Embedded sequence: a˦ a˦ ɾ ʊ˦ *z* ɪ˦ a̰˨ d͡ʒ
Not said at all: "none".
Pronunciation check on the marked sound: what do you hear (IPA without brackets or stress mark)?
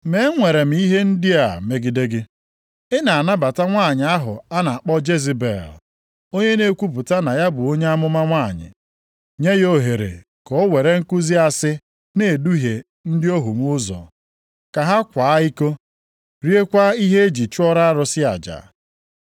s